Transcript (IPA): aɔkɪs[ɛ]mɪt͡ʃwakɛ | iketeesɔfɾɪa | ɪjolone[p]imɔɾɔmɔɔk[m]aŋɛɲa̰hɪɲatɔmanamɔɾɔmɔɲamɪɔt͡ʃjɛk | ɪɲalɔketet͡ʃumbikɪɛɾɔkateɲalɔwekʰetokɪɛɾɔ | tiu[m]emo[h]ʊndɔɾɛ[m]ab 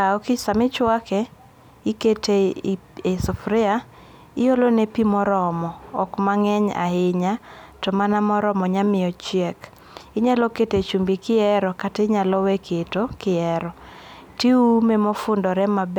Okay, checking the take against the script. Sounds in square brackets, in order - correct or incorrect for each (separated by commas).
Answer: incorrect, correct, correct, correct, incorrect, correct